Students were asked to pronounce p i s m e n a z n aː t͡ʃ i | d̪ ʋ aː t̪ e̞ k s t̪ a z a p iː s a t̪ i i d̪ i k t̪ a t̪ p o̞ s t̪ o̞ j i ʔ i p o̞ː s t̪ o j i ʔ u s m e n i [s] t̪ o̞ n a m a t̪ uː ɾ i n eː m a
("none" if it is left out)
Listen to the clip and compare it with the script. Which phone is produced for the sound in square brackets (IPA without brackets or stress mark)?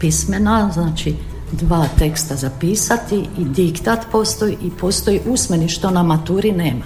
ʃ